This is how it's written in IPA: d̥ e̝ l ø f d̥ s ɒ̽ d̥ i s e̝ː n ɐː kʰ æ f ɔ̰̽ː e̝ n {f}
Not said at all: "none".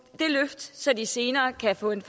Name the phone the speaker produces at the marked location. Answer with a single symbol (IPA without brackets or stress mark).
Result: f